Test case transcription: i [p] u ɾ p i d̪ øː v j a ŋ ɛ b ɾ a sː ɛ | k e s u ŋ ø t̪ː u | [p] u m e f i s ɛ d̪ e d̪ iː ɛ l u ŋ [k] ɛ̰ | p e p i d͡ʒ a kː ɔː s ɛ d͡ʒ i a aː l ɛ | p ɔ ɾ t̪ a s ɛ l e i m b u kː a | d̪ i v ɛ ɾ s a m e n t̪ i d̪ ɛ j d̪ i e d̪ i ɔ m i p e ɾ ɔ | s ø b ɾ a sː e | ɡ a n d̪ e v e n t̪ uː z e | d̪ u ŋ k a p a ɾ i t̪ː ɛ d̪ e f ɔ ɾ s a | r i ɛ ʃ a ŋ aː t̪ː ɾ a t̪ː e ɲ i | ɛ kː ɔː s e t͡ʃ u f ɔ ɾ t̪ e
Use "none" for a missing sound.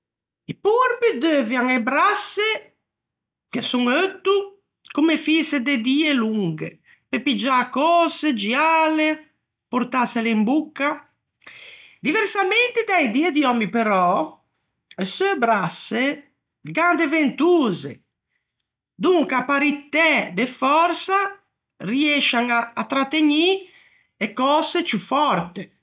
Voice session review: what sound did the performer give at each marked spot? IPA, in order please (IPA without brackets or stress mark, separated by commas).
p, k, ɡ